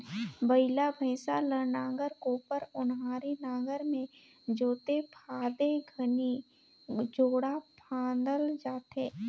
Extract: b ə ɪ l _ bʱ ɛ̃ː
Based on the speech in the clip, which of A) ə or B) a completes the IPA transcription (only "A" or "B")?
B